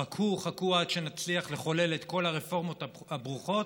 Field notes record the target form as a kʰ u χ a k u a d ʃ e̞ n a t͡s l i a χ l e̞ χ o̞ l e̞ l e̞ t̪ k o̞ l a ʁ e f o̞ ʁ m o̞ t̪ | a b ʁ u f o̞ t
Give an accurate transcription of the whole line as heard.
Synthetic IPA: a kʰ u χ a k u a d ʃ e̞ n a t͡s l i a χ l e̞ χ o̞ l e̞ l e̞ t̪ k o̞ l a ʁ e f o̞ ʁ m o̞ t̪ | a b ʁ u χ o̞ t